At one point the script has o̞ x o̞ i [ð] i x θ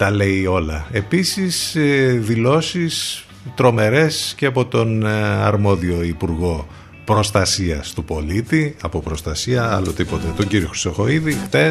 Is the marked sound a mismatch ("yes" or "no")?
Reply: no